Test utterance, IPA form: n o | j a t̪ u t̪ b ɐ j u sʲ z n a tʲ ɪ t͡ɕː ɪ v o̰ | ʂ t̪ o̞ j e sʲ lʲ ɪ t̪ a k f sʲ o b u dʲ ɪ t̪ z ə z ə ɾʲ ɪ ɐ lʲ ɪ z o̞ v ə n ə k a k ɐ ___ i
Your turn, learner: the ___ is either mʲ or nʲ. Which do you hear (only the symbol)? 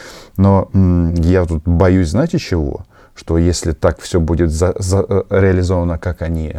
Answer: nʲ